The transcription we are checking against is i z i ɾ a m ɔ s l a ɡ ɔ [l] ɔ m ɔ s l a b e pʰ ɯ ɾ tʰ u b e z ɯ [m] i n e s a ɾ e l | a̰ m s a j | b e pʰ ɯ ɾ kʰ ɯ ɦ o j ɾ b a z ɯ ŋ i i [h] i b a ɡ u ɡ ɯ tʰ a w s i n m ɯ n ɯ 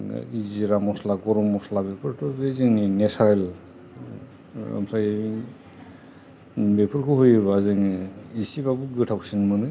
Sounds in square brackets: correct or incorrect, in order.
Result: incorrect: ɾ, incorrect: ŋ, incorrect: s

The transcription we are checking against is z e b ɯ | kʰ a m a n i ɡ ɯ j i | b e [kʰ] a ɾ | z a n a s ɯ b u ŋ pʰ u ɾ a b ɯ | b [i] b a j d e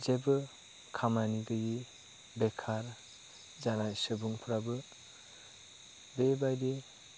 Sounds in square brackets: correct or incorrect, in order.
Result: correct, incorrect: e

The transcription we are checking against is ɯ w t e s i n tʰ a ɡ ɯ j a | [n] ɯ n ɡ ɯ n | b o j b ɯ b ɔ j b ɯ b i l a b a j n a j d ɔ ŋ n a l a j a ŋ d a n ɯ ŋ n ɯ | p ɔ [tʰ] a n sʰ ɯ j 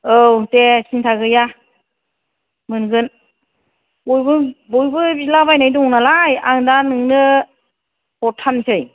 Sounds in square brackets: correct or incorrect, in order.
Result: incorrect: m, correct

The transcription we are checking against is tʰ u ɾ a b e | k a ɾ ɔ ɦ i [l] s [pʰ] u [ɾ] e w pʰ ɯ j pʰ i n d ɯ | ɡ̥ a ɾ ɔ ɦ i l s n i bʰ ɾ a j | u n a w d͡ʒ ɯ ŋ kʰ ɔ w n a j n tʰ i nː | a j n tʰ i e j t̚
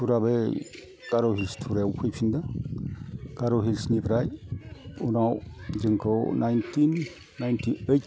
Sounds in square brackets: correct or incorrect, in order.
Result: correct, incorrect: tʰ, correct

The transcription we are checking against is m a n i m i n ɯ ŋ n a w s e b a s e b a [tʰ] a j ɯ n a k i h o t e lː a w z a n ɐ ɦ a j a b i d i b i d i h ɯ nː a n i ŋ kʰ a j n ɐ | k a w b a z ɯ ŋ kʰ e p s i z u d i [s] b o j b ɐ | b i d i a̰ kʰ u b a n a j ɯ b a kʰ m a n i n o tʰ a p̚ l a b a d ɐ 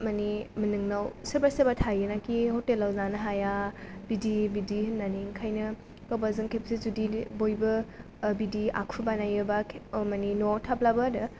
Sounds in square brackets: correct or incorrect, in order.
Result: correct, incorrect: none

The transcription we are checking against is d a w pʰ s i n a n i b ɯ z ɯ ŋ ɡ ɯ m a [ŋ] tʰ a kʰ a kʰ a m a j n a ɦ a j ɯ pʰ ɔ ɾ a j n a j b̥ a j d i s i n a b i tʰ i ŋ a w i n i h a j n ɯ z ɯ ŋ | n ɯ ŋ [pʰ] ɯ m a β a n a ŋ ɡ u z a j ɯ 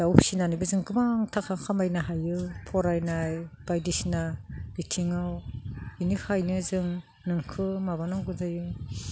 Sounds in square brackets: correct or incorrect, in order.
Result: correct, incorrect: kʰ

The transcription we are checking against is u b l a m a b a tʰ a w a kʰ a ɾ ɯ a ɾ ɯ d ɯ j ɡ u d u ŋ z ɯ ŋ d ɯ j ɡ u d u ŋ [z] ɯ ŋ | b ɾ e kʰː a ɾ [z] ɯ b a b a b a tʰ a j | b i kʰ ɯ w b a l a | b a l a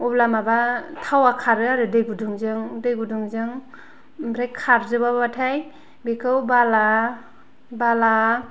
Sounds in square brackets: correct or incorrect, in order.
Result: correct, correct

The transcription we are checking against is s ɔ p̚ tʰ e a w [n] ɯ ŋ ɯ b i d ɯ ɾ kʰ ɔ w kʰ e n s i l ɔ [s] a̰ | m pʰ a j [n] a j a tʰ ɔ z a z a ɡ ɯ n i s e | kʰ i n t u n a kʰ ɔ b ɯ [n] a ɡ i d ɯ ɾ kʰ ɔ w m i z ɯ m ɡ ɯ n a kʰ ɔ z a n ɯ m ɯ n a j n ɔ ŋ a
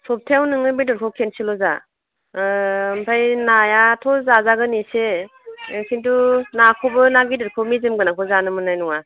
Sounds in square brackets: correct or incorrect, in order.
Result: correct, incorrect: z, correct, correct

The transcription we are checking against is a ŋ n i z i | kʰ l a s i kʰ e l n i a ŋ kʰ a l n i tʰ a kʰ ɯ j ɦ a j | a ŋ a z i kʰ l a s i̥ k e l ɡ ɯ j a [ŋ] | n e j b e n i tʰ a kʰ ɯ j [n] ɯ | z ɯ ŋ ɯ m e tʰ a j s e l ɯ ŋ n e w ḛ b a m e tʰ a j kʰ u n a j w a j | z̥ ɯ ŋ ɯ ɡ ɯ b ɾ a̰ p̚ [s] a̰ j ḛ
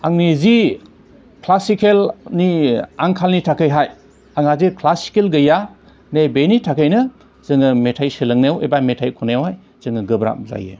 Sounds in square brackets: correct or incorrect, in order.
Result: incorrect: none, correct, incorrect: z

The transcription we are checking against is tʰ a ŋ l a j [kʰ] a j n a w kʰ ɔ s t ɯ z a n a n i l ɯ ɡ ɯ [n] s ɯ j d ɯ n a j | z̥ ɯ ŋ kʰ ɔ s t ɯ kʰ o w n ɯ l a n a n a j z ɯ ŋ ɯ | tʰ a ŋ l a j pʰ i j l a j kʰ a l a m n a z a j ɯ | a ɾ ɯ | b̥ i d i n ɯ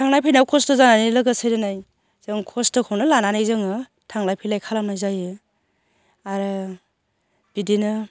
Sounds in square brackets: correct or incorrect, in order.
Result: incorrect: pʰ, incorrect: none

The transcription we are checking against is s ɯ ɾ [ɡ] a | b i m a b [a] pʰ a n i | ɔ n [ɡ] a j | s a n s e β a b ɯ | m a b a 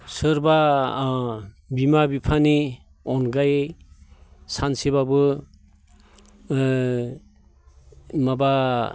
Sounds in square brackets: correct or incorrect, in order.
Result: incorrect: b, incorrect: i, correct

